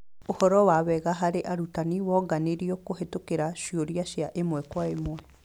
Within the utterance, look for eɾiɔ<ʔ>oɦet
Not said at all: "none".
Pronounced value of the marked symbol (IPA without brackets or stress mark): k